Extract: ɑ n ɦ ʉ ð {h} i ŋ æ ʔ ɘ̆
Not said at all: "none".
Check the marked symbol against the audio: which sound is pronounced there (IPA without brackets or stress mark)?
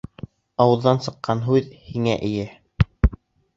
h